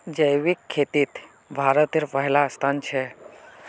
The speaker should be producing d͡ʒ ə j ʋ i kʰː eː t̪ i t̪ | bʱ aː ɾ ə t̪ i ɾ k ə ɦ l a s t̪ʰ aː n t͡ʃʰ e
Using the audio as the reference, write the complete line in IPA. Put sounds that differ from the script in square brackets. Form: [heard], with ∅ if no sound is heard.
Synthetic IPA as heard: d͡ʒ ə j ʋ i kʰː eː t̪ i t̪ | bʱ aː ɾ ə t̪ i ɾ [p] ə ɦ l a s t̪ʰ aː n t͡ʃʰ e